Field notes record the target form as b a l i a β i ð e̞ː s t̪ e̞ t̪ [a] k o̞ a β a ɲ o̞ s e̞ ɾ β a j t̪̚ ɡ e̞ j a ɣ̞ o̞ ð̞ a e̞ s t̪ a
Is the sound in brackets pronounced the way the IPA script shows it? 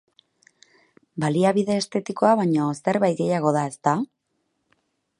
no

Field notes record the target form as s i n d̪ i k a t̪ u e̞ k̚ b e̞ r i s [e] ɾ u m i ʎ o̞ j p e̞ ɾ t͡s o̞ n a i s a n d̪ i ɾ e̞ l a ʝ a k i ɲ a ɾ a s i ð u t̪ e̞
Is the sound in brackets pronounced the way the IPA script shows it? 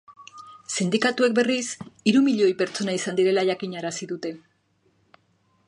no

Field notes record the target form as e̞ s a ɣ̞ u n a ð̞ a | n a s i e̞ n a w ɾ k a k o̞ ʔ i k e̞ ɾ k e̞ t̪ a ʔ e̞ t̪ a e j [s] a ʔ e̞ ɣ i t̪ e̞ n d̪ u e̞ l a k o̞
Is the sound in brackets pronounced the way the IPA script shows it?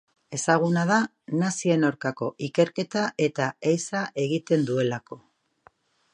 yes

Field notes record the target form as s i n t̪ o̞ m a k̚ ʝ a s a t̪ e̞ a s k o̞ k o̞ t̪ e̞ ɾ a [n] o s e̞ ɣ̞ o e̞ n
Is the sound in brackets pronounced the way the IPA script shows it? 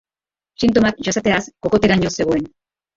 no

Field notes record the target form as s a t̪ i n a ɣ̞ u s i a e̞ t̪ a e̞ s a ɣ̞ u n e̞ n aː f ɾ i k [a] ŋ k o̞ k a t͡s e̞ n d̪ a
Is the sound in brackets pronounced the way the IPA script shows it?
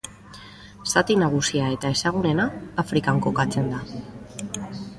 yes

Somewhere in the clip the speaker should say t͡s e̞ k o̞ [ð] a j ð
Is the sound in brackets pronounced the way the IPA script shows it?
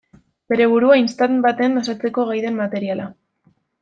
no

